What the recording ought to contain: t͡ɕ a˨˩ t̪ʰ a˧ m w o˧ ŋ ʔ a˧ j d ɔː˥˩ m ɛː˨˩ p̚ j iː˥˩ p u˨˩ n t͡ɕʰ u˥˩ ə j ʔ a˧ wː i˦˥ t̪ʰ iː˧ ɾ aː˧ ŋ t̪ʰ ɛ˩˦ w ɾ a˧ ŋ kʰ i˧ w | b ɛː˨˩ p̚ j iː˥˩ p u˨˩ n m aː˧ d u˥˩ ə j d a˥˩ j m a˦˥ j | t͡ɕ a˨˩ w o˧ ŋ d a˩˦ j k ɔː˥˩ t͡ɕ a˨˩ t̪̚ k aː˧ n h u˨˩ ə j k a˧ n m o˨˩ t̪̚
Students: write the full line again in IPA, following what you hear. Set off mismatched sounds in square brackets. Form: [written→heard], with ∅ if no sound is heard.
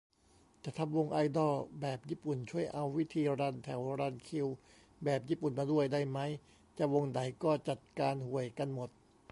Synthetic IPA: t͡ɕ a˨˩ t̪ʰ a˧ m w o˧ ŋ ʔ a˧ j d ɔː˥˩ [m→b] ɛː˨˩ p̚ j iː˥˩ p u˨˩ n t͡ɕʰ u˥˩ ə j ʔ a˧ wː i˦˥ t̪ʰ iː˧ ɾ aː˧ [ŋ→n] t̪ʰ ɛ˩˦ w ɾ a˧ [ŋ→n] kʰ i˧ w | b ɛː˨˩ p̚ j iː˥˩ p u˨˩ n m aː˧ d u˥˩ ə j d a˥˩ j m a˦˥ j | t͡ɕ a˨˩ w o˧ ŋ d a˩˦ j k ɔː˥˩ t͡ɕ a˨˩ t̪̚ k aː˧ n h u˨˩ ə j k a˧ n m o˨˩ t̪̚

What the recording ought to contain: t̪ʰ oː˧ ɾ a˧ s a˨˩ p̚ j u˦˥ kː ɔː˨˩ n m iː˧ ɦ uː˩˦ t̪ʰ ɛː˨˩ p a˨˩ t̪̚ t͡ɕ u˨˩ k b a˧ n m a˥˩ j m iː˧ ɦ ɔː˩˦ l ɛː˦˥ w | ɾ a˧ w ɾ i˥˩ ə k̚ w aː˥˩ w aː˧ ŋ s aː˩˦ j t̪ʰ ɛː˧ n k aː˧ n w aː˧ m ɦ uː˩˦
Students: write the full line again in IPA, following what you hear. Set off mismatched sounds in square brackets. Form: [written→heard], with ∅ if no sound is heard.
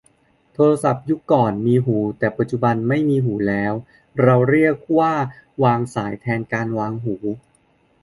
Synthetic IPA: t̪ʰ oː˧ ɾ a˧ s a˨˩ p̚ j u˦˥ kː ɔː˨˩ n m iː˧ ɦ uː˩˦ [t̪ʰ→t̪] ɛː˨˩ p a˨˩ t̪̚ t͡ɕ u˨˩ [k→∅] b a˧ n m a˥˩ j m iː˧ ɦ [ɔː˩˦→uː˩˦] l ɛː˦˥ w | ɾ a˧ w ɾ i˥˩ ə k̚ w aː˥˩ w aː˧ ŋ s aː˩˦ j t̪ʰ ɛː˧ n k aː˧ n w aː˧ [m→ŋ] ɦ uː˩˦

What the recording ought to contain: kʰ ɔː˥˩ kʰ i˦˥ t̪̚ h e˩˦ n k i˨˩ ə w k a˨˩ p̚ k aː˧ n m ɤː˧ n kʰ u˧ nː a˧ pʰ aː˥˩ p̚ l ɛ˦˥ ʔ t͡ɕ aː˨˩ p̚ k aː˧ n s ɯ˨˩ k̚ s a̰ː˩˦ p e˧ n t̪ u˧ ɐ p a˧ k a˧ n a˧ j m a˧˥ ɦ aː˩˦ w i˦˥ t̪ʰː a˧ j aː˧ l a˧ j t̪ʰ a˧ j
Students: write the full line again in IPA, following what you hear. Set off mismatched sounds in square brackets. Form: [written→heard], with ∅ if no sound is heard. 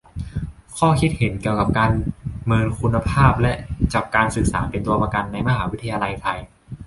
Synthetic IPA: kʰ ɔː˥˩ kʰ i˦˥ t̪̚ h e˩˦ n k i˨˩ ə w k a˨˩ p̚ k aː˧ n m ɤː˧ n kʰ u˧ nː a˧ pʰ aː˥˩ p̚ l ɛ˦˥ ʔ t͡ɕ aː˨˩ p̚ k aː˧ n s ɯ˨˩ k̚ s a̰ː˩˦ p e˧ n t̪ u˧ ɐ p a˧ k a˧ [n→nː] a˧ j m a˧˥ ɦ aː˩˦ w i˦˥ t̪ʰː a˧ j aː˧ l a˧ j t̪ʰ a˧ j

